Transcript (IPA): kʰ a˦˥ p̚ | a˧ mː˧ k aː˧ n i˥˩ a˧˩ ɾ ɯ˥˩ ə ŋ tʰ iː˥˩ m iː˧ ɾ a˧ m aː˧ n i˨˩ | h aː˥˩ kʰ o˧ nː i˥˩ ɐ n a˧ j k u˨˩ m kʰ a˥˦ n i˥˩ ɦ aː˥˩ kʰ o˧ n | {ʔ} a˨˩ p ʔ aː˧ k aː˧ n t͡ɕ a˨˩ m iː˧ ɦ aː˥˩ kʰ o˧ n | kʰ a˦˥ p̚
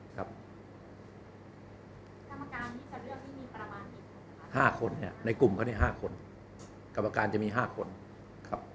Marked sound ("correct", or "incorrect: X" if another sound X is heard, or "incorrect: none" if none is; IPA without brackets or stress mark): incorrect: k